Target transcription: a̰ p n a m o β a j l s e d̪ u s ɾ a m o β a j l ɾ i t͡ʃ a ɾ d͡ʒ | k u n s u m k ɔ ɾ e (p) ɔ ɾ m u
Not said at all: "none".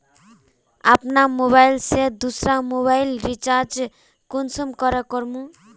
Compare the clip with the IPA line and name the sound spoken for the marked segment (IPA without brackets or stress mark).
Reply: k